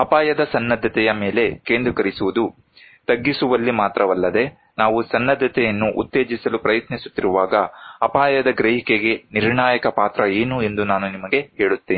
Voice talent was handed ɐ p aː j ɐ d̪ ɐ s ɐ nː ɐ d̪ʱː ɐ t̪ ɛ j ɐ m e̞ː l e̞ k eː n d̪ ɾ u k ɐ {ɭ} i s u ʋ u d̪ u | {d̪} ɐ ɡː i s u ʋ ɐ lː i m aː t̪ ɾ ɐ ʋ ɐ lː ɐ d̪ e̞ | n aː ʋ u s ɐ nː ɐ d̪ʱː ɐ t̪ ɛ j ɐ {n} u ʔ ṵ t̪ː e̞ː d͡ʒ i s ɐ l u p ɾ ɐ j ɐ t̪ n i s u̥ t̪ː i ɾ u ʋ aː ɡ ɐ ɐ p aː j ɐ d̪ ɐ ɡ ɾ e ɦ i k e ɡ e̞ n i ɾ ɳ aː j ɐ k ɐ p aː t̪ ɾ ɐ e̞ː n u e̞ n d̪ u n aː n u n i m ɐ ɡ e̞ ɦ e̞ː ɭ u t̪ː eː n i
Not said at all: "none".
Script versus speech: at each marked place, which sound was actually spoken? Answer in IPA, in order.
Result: ɾ, t̪, nː

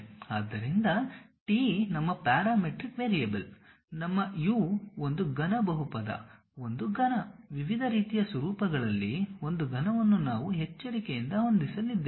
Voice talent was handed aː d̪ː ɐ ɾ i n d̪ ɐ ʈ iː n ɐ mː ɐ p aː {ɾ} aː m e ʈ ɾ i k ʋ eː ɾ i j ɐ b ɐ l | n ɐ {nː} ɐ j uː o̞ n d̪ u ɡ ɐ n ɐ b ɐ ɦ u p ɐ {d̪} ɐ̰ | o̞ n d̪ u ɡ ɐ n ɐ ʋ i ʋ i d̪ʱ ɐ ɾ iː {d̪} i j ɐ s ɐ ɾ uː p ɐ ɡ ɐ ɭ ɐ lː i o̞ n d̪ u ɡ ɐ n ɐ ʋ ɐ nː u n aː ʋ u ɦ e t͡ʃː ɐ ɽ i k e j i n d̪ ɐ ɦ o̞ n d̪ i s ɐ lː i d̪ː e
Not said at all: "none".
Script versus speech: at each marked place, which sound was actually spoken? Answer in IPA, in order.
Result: ɾ, mː, d̪, t̪

